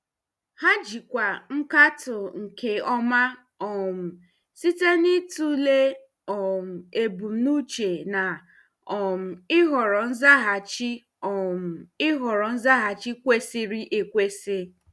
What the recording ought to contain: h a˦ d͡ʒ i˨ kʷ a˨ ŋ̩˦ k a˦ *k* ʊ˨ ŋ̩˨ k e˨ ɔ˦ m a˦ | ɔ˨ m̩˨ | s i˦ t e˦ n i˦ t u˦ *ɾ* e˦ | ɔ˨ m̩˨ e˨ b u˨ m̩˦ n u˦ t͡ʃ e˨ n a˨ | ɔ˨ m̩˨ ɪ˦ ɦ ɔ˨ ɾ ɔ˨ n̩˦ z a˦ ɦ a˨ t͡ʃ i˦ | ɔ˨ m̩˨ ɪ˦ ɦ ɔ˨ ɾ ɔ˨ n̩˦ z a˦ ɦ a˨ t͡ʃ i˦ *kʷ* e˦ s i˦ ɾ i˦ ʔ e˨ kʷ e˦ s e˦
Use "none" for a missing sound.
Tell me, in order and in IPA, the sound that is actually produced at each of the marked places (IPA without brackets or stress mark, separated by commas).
t, l, kʷ